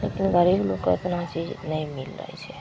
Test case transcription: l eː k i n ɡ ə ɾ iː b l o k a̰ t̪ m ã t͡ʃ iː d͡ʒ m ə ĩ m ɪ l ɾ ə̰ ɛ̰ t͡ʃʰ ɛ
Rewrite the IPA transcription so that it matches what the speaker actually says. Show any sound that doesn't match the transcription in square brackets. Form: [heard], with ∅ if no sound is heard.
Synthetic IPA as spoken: l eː k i n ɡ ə ɾ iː b l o k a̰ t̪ [n] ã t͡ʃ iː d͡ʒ [n] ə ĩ m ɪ l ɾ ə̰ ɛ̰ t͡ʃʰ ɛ